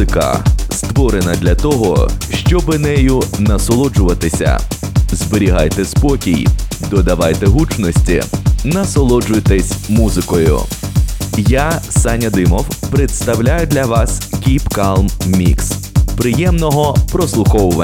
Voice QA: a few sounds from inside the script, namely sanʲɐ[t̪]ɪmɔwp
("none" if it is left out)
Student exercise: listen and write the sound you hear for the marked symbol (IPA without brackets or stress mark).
d̪